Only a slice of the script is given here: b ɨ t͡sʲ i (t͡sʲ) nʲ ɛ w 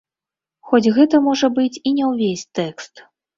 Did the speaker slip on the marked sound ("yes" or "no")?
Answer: yes